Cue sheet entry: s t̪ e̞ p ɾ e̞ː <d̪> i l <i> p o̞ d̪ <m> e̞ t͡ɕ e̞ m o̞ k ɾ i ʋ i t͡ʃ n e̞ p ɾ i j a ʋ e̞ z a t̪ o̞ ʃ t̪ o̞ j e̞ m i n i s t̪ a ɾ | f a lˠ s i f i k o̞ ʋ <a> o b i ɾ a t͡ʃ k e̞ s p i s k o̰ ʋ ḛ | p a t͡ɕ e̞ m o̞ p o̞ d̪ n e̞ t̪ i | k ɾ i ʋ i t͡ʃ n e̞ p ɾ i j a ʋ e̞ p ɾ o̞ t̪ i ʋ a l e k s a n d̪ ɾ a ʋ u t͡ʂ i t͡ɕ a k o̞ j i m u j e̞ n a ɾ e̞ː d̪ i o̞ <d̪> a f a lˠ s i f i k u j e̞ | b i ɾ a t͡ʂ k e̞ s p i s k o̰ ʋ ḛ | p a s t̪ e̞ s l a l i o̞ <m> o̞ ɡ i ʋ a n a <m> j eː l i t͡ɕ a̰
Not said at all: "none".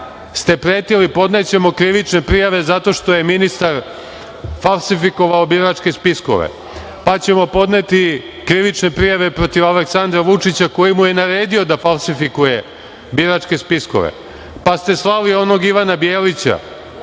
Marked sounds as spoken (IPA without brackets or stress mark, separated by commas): t̪, i, n, a, d̪, n, b